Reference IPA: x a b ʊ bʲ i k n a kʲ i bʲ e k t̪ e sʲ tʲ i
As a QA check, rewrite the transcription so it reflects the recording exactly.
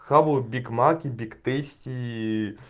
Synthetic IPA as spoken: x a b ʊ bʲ i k m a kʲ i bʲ i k t̪ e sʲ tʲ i